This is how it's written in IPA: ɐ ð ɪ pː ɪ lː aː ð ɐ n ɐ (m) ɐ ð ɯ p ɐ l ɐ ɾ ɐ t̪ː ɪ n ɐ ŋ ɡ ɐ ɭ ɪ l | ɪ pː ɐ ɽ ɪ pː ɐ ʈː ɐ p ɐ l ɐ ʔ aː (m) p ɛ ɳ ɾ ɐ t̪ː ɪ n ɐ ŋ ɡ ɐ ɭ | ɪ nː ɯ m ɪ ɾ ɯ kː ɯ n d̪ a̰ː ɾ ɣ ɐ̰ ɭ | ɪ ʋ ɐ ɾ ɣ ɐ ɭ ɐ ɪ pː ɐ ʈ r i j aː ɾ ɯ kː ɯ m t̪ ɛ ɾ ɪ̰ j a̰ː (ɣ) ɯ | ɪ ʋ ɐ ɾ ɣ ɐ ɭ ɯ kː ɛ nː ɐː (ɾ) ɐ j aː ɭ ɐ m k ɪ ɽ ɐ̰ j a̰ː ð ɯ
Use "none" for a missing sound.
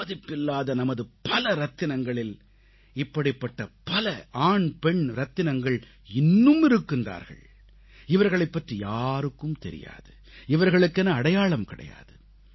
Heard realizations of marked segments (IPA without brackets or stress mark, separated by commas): m, ɳ, ð, ɽ